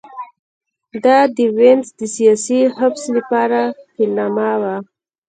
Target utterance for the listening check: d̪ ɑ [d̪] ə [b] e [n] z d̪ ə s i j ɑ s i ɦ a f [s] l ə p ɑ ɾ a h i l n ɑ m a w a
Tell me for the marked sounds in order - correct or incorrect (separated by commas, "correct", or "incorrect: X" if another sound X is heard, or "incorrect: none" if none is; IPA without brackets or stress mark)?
correct, incorrect: w, correct, correct